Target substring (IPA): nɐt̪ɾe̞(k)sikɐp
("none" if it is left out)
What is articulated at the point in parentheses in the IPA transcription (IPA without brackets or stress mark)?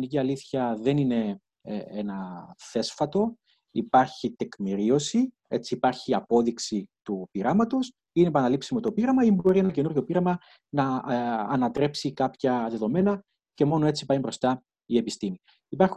p